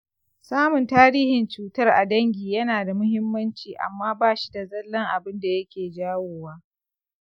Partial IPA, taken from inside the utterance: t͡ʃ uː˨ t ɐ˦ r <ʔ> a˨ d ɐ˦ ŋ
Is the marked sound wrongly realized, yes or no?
no